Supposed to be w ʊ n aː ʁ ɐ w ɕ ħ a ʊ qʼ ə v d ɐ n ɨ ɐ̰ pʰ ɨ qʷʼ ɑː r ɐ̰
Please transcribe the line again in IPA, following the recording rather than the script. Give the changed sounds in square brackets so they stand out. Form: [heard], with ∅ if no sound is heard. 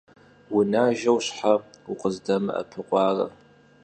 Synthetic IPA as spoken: w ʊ n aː [ʒ] ɐ w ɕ ħ a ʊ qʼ ə [z] d ɐ [m] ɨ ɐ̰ pʰ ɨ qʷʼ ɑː r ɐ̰